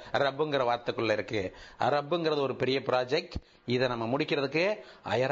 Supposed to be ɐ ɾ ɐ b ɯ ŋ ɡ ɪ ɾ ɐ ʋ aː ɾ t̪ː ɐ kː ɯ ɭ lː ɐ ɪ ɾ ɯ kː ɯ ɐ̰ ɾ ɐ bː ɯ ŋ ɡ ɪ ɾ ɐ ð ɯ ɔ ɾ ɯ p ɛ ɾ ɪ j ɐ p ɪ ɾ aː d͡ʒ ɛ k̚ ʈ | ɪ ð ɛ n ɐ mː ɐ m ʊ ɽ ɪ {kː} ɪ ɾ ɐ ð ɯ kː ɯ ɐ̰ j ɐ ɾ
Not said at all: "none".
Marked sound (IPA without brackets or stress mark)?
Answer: kː